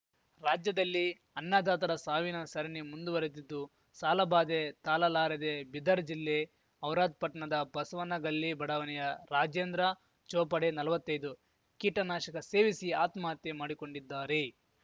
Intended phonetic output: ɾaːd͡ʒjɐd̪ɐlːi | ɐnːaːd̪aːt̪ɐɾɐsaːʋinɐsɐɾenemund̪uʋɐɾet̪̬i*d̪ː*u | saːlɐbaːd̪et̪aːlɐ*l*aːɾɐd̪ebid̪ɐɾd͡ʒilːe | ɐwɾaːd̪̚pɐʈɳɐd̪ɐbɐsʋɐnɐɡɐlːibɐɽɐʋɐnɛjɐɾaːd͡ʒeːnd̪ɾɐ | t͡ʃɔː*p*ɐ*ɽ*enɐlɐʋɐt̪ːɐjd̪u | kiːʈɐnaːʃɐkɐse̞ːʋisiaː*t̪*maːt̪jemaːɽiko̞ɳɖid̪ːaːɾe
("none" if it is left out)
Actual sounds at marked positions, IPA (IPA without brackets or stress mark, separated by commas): d̪ː, l, p, ɽ, t̪